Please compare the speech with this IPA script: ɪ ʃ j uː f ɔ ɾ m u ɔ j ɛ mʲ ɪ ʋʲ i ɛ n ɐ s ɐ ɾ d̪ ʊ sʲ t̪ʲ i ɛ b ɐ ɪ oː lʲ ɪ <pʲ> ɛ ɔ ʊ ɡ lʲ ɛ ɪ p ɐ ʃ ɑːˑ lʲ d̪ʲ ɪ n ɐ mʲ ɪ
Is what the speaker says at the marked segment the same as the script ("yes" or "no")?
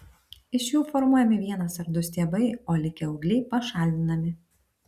no